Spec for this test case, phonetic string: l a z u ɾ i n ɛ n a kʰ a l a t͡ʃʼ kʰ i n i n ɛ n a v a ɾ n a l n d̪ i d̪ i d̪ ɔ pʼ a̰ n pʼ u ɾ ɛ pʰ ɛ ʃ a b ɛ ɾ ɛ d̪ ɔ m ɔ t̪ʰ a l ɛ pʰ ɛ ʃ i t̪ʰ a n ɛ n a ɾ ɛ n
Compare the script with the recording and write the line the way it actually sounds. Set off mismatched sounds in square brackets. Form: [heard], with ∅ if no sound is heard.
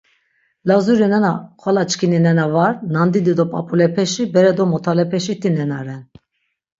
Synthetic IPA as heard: l a z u ɾ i n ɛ n a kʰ a l a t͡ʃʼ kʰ i n i n ɛ n a v a ɾ n a [∅] n d̪ i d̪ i d̪ ɔ pʼ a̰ [∅] pʼ u [l] ɛ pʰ ɛ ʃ [i] b ɛ ɾ ɛ d̪ ɔ m ɔ t̪ʰ a l ɛ pʰ ɛ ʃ i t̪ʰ [i] n ɛ n a ɾ ɛ n